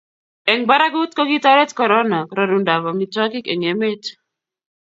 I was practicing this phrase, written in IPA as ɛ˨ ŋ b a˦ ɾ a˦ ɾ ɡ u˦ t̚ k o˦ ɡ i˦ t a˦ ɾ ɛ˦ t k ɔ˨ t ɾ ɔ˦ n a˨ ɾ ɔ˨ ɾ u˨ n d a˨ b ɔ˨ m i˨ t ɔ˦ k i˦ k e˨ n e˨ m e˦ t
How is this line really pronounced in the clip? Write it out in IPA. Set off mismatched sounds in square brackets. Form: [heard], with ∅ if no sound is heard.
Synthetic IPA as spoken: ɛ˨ ŋ b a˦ ɾ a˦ [∅] ɡ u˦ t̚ k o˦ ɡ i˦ t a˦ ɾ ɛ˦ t k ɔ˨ [∅] ɾ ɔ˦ n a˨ ɾ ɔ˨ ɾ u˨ n d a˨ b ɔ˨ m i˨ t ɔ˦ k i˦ k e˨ [ŋ] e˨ m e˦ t